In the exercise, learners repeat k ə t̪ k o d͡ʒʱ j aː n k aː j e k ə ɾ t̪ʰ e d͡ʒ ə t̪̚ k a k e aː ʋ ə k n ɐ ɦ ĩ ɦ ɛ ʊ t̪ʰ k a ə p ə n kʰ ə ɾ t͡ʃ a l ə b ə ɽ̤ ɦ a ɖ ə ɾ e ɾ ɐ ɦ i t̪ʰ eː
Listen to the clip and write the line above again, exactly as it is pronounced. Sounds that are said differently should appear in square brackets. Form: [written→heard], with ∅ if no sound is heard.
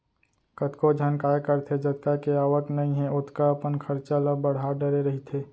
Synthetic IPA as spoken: k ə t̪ k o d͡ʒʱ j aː n k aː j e k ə ɾ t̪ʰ e d͡ʒ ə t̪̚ k a k e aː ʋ ə k n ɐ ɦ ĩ ɦ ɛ ʊ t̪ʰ k a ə p ə n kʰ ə ɾ t͡ʃ a l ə b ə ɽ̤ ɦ a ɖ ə ɾ e ɾ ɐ ɦ i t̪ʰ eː